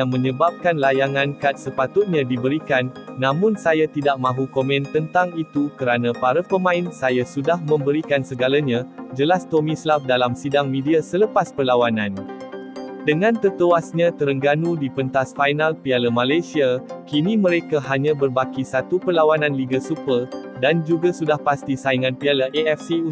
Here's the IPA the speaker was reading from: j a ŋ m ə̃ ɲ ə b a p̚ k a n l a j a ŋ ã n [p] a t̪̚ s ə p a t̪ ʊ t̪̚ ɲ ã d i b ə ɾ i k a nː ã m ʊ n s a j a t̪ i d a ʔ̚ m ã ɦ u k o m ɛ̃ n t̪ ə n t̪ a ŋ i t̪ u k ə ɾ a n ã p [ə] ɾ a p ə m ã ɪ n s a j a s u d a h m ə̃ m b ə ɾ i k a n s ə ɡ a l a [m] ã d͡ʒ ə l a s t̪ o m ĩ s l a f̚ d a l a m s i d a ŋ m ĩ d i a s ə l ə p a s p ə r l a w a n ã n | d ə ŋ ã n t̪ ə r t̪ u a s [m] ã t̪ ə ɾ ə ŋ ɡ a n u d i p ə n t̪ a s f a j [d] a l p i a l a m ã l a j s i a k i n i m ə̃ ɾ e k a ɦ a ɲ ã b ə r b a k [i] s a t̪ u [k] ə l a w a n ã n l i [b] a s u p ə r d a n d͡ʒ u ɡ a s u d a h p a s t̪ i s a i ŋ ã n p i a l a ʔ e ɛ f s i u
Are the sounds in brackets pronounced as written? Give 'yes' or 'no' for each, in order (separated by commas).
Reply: no, no, no, no, no, yes, no, no